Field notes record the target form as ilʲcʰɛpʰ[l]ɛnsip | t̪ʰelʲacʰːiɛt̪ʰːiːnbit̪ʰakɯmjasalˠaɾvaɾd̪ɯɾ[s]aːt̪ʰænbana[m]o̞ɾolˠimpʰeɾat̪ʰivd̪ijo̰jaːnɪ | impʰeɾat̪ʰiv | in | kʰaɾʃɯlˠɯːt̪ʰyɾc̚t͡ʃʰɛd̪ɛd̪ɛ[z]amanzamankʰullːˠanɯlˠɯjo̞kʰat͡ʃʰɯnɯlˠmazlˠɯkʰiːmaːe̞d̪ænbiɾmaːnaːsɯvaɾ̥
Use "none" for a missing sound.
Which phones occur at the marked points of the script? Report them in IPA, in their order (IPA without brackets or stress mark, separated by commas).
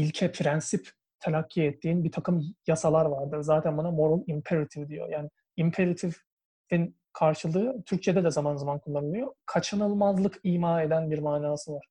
ɾ, z, m, z